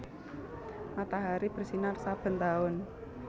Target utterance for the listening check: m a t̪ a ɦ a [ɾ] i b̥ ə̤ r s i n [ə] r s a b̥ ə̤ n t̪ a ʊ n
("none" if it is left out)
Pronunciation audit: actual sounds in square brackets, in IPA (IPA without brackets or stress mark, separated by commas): ɾ, a